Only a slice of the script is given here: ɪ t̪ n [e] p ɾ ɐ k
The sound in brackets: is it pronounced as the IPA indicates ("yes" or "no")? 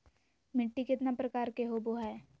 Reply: no